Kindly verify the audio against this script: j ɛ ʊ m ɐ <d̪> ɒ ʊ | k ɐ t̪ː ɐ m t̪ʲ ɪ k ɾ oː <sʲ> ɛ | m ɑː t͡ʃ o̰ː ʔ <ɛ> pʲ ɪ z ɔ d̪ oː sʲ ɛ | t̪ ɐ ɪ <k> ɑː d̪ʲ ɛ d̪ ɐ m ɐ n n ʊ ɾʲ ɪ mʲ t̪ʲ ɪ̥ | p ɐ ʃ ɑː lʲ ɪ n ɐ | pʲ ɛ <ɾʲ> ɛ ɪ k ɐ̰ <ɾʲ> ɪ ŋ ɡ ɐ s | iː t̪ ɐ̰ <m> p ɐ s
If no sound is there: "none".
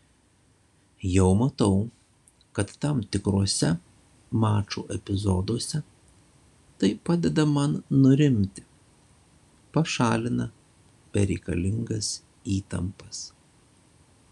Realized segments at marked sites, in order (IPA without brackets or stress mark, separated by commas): t̪, sʲ, ɛ, p, ɾʲ, lʲ, m